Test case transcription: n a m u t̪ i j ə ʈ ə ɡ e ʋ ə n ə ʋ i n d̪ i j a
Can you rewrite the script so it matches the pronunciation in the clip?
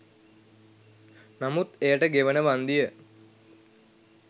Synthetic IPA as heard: n a m u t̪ e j ə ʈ ə ɡ e ʋ ə n ə ʋ a n d̪ i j ə